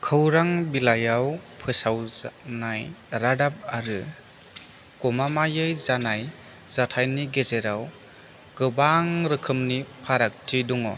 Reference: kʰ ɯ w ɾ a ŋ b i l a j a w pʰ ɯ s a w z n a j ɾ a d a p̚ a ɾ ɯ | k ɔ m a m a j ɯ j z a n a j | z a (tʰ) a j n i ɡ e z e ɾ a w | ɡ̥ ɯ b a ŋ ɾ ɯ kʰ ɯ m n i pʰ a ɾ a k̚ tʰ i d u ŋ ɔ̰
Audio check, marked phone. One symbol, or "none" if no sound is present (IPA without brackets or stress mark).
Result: tʰ